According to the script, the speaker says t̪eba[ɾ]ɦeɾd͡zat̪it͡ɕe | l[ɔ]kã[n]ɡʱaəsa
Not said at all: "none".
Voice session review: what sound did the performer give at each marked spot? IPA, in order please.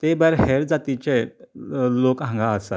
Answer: ɾ, o, ŋ

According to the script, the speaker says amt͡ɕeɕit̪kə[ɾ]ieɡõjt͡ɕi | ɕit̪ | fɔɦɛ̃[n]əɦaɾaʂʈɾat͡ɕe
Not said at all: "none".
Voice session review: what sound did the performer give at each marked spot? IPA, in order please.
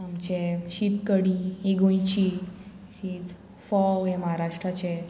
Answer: ɽ, m

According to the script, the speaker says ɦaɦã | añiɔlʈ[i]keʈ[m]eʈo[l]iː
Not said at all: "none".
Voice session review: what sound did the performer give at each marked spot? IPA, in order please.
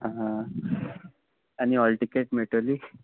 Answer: i, m, l

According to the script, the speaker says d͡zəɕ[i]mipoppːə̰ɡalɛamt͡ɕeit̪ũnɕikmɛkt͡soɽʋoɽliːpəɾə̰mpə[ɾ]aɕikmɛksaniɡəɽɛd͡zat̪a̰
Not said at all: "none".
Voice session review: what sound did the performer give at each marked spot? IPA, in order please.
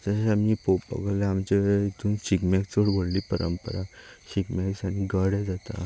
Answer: a, ɾ

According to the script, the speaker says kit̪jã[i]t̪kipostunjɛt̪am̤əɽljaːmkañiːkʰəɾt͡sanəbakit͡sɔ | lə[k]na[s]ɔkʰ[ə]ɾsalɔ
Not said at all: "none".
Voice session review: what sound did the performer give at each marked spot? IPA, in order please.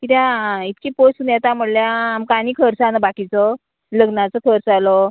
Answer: i, ɡ, t͡s, ə

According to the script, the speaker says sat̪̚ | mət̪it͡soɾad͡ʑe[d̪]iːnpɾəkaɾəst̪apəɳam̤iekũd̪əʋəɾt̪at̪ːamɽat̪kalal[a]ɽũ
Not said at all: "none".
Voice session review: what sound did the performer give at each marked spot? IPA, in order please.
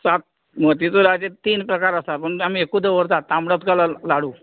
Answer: t̪, a

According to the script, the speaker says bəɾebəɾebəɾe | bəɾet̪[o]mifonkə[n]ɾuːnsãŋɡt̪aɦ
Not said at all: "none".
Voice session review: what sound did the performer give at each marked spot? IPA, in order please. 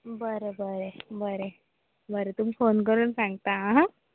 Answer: u, none

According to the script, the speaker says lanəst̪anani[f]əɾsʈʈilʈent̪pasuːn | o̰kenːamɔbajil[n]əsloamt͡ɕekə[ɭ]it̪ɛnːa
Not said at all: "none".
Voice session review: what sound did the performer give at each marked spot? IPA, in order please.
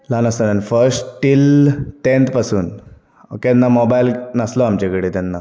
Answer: f, n, ɽ

